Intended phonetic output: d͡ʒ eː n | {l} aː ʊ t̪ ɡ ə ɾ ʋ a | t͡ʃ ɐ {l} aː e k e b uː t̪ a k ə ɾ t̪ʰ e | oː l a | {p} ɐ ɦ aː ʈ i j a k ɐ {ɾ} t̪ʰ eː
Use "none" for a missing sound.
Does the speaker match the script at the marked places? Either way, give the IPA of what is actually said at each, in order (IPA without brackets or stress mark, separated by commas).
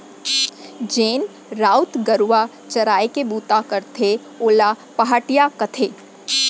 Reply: ɾ, ɾ, p, none